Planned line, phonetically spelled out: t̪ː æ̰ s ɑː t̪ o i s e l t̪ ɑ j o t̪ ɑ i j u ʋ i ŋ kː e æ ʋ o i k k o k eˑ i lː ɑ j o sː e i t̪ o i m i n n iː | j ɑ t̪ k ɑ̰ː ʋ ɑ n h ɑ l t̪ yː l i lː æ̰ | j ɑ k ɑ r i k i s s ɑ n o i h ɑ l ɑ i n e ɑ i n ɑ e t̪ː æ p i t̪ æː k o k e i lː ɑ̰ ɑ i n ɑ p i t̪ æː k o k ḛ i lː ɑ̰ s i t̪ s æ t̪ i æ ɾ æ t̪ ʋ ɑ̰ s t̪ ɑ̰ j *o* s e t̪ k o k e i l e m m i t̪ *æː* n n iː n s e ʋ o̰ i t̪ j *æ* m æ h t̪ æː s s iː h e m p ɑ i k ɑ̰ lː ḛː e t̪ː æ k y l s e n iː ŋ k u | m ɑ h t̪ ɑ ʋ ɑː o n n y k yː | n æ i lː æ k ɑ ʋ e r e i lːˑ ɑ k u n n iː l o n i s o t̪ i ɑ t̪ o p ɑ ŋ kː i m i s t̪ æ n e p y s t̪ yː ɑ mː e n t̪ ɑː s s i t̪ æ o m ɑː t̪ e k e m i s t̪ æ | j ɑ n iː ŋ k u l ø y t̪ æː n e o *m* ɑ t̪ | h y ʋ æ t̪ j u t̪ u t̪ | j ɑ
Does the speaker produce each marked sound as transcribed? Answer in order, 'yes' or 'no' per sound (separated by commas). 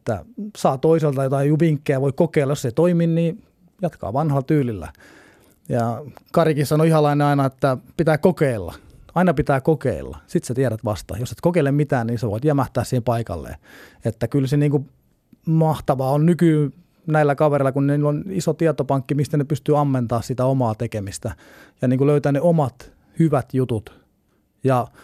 yes, yes, yes, yes